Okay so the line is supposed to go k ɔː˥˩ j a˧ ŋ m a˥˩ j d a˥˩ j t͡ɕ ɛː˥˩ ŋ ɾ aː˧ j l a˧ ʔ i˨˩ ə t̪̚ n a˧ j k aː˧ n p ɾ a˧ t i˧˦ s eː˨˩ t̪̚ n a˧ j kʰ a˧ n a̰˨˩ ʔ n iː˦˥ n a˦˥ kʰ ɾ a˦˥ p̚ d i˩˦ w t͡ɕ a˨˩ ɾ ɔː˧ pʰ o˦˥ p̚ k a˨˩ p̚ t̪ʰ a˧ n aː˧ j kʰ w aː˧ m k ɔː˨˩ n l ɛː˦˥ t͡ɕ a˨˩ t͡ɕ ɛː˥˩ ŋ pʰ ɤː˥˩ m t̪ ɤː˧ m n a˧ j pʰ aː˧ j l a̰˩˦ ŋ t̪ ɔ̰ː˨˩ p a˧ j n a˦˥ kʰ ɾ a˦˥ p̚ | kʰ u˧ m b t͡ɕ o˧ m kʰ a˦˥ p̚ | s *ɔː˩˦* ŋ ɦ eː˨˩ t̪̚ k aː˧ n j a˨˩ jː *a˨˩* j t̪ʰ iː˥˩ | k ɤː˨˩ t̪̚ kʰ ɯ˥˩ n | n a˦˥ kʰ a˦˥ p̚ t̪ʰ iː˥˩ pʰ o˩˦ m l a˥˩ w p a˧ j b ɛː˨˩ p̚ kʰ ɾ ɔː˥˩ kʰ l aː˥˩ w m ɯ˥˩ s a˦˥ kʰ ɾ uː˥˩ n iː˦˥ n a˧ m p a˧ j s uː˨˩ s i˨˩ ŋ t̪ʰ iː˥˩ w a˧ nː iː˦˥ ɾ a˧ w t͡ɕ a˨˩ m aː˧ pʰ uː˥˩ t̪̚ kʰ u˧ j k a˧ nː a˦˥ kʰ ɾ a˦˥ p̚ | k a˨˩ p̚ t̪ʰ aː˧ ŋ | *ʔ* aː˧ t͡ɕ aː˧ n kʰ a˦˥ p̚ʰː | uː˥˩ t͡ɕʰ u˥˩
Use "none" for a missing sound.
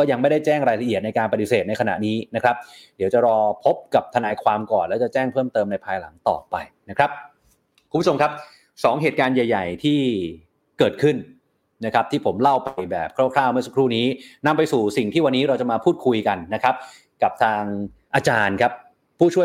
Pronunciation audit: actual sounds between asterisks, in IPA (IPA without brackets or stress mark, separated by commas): ɔː˩˦, a˨˩, ʔ